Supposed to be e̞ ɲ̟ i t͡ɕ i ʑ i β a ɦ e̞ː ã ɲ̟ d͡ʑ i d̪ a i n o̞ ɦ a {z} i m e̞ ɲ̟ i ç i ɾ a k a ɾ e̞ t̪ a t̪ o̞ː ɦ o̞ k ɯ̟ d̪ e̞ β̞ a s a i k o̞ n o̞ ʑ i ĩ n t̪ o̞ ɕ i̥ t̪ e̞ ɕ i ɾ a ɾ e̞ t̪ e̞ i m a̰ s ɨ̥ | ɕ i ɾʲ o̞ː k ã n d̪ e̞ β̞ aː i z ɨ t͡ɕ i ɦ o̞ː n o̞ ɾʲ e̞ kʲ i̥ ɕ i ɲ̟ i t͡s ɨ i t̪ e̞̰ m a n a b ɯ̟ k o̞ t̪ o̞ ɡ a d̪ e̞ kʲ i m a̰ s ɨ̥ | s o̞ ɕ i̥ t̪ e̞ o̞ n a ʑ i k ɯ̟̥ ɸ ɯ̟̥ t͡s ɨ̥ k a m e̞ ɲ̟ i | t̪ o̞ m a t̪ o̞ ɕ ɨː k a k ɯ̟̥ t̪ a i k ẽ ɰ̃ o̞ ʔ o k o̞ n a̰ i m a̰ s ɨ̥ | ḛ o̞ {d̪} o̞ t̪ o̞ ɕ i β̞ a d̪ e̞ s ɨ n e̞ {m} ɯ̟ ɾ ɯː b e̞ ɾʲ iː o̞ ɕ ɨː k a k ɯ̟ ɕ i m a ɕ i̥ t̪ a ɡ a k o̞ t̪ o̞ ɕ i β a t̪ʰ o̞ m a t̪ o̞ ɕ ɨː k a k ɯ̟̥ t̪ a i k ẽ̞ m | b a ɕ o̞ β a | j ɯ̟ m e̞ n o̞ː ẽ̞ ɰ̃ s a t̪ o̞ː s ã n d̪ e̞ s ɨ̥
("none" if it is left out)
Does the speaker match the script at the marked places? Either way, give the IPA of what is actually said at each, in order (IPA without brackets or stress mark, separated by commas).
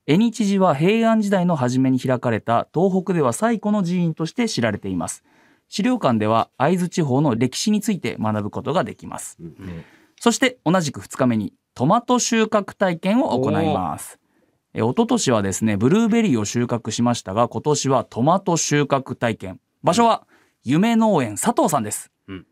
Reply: ʑ, t̪, b